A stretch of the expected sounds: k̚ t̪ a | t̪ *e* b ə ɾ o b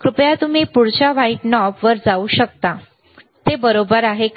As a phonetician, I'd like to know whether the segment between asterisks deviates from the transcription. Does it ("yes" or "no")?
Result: no